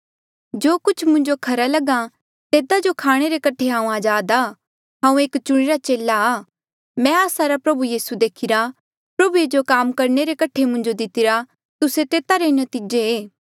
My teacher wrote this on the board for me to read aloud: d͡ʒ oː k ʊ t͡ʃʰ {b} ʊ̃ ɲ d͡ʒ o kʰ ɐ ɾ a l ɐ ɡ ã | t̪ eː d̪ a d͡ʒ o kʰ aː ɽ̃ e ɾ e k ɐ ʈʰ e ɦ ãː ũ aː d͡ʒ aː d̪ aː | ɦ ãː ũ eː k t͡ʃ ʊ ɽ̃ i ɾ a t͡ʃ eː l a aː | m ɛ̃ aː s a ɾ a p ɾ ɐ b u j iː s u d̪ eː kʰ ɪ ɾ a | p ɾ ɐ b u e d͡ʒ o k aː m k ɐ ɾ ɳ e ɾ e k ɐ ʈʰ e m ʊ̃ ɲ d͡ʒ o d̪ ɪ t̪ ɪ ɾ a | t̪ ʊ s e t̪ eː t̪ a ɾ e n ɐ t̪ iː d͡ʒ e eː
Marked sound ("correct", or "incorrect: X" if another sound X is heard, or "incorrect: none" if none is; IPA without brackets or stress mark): incorrect: m